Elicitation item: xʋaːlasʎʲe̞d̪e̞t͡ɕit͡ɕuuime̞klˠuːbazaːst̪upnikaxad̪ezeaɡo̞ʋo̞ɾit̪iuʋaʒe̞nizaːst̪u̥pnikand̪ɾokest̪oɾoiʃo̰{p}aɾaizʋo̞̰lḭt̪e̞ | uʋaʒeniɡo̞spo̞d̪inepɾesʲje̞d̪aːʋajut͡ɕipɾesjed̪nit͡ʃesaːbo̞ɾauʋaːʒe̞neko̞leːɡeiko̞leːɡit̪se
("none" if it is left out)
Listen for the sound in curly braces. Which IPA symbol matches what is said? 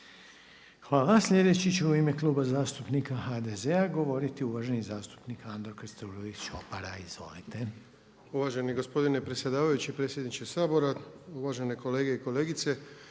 p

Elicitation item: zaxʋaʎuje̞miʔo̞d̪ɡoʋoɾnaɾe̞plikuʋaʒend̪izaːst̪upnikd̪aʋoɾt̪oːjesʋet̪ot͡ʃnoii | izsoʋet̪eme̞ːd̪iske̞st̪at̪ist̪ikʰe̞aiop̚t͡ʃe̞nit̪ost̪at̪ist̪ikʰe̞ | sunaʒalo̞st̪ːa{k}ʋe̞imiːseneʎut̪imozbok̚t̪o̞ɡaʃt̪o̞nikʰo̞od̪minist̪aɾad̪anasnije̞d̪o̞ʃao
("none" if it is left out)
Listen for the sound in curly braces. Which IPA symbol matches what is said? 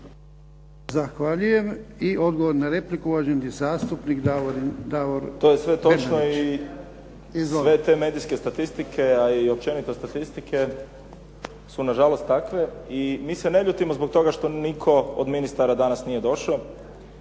k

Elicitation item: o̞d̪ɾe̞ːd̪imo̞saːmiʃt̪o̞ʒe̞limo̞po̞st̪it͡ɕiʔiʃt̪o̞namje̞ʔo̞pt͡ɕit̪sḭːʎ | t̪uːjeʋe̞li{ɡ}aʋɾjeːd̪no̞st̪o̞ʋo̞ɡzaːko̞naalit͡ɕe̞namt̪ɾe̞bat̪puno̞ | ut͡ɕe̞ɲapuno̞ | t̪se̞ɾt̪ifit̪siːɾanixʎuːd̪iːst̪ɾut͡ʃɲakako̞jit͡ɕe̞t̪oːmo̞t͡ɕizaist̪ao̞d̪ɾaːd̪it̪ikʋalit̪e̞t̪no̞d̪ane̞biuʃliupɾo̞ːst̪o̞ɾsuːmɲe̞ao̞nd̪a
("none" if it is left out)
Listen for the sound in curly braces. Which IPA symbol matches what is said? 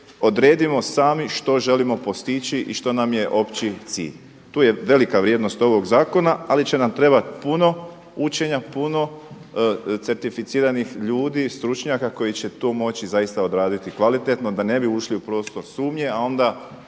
k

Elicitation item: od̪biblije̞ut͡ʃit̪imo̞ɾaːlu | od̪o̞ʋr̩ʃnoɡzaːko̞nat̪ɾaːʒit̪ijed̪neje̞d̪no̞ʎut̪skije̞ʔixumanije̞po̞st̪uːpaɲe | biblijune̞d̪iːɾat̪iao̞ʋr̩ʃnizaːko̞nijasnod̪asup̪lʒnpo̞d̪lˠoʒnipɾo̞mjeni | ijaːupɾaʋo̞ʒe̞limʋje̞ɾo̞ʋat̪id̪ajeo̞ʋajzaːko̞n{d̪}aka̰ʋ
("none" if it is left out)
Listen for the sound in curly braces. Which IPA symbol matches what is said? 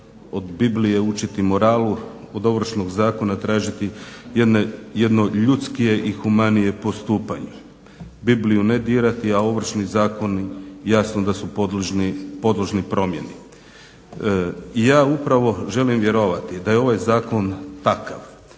t̪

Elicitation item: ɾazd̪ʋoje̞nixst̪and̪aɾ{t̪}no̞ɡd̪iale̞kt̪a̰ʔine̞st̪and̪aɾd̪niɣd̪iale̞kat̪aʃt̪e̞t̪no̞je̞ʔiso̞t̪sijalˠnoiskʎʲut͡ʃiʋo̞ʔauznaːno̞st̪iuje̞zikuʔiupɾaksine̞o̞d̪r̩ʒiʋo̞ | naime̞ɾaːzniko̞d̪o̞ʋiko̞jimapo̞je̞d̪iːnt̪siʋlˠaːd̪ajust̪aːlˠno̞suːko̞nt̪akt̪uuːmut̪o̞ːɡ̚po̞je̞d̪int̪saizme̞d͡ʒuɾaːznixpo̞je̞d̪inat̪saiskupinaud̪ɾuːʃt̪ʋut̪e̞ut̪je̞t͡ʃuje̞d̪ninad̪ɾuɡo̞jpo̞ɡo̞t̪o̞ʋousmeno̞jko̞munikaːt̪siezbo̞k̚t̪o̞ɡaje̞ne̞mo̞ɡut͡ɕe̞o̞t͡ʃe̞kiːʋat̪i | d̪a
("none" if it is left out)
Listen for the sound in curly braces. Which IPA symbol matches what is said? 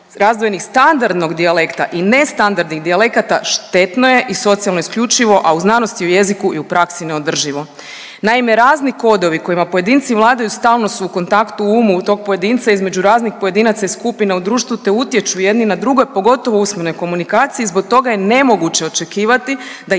d̪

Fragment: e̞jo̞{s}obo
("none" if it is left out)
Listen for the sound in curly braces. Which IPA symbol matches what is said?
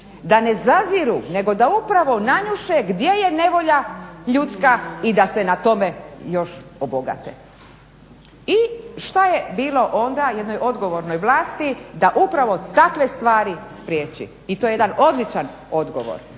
ʃ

